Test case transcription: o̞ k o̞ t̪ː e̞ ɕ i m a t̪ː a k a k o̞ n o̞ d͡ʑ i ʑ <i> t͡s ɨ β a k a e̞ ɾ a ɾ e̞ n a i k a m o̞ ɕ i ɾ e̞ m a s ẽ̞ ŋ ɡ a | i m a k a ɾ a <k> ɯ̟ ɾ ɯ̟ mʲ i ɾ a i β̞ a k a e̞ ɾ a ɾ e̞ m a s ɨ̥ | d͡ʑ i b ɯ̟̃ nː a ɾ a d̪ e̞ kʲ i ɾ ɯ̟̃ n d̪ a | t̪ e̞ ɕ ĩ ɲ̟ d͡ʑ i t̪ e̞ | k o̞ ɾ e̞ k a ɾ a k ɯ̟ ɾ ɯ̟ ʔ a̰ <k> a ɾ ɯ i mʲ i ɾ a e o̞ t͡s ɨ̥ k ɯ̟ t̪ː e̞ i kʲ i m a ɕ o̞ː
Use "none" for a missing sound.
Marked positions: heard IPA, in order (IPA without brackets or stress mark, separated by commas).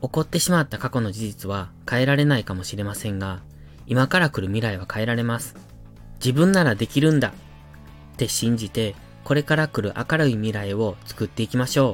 i, k, k